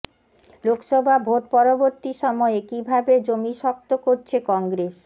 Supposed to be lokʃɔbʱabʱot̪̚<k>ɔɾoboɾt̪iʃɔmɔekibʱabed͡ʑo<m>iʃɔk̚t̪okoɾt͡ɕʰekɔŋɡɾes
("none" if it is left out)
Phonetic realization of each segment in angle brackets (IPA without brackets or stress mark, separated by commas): p, m